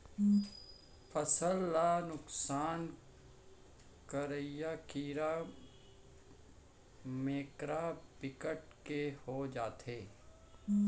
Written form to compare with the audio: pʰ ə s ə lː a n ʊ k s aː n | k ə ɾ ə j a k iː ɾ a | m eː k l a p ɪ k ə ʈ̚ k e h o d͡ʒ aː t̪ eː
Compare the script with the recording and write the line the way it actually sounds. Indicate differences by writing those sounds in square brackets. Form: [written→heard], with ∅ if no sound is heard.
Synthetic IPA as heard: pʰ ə s ə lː a n ʊ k s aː n | k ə ɾ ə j a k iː ɾ a | m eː k [l→ɾ] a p ɪ k ə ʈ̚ k e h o d͡ʒ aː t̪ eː